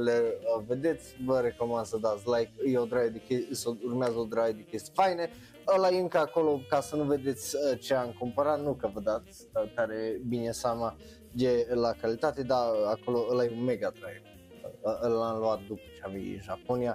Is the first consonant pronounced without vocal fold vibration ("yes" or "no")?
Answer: no